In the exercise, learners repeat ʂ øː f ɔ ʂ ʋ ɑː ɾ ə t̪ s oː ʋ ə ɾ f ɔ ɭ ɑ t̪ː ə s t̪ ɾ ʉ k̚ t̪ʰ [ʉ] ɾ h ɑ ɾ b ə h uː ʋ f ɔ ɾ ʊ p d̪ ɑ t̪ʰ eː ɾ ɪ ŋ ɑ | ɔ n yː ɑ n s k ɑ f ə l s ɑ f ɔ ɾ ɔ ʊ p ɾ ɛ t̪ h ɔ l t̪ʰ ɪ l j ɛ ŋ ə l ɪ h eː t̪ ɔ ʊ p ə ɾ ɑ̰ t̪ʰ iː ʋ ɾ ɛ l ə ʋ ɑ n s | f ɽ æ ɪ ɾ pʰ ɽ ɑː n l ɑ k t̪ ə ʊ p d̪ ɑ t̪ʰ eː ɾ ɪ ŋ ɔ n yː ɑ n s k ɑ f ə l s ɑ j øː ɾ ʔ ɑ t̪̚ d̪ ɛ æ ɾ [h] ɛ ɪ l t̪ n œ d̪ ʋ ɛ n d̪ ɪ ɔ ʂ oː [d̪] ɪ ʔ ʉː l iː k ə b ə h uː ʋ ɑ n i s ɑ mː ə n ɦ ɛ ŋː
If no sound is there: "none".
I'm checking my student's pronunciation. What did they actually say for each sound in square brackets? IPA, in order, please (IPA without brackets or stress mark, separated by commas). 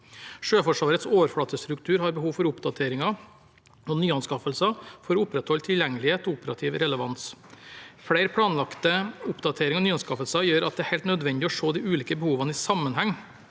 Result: ʉː, h, d̪